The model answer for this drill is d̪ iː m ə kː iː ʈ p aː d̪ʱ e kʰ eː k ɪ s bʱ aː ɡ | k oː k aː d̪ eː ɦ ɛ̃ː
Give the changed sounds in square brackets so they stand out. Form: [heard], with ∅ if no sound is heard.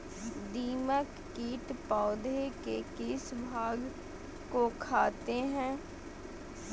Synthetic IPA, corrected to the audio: d̪ iː m ə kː iː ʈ p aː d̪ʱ e [k] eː k ɪ s bʱ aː ɡ | k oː [kʰ] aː [t̪] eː ɦ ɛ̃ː